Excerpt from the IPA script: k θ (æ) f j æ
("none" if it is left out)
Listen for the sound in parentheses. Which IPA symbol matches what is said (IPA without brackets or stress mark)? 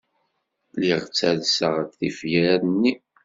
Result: i